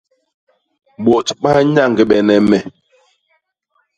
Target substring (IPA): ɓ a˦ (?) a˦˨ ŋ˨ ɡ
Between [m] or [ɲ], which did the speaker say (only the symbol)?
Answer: ɲ